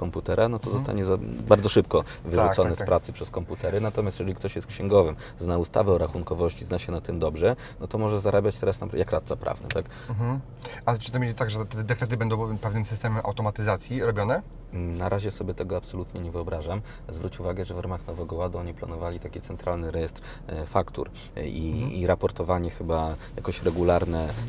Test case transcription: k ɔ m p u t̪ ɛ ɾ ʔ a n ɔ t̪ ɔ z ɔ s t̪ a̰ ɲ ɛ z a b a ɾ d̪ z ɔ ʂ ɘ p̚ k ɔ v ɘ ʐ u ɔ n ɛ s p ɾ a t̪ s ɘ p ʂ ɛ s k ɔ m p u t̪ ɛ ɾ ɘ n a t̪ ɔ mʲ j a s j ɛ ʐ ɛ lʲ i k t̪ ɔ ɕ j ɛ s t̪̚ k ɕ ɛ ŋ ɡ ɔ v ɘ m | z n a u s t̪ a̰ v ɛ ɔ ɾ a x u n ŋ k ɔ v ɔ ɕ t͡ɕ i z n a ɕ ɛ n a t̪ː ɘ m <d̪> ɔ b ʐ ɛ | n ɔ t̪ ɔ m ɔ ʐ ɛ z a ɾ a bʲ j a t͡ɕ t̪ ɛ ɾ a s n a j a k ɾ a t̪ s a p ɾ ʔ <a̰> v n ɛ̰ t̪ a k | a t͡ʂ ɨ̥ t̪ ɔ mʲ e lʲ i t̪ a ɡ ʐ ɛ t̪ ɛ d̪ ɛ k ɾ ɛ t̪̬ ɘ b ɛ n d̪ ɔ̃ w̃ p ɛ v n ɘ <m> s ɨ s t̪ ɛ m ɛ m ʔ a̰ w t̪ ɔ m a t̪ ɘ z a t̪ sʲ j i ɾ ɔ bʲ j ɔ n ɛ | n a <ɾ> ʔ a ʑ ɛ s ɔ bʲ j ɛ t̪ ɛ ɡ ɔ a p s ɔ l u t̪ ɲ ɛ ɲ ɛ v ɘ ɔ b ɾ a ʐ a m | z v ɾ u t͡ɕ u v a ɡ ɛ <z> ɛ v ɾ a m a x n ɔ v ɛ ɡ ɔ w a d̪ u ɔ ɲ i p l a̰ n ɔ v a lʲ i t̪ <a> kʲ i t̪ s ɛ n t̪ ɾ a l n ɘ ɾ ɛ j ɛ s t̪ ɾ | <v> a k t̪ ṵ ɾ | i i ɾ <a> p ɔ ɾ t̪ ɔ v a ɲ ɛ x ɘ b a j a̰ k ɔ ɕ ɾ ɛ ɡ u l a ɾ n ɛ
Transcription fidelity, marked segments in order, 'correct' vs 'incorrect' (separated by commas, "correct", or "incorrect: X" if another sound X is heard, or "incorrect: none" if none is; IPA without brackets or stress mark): correct, correct, correct, correct, incorrect: ʐ, correct, incorrect: f, correct